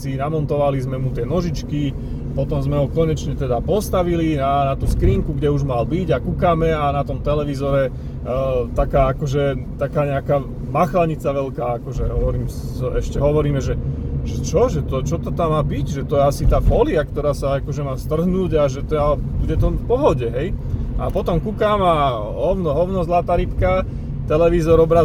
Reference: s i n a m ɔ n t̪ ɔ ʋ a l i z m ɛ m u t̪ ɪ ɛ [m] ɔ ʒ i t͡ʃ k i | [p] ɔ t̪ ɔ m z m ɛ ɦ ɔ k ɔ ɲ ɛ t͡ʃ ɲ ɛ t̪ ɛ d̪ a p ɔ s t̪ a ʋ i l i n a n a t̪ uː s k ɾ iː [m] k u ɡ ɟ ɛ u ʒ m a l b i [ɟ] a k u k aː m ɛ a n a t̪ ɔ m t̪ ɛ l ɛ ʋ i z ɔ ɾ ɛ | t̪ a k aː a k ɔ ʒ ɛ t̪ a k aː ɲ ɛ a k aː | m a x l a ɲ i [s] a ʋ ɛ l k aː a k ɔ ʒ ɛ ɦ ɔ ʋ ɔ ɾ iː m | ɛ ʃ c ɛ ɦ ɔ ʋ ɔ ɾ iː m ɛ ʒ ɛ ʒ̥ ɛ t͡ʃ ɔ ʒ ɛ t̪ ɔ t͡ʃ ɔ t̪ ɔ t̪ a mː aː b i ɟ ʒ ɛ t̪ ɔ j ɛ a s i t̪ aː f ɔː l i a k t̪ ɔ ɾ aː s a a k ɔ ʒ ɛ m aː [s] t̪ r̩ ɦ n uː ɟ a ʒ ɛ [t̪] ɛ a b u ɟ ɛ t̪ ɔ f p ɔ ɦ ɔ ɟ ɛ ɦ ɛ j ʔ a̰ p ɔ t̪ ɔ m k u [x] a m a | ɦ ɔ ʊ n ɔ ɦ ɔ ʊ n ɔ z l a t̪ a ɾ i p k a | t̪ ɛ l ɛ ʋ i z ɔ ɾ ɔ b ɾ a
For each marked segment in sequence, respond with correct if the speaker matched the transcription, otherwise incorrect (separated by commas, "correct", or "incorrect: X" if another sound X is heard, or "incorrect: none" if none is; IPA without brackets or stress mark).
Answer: incorrect: n, correct, incorrect: ŋ, correct, incorrect: t͡s, correct, correct, incorrect: k